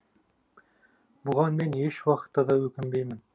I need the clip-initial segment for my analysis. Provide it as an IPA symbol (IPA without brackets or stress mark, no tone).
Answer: b